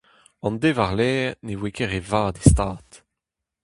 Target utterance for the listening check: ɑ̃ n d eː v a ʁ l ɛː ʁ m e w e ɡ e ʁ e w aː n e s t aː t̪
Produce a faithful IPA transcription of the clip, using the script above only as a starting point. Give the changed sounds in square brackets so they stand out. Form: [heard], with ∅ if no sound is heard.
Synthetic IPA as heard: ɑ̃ n d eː v a ʁ l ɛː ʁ [n] e w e [k] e ʁ e [v] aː [d] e s t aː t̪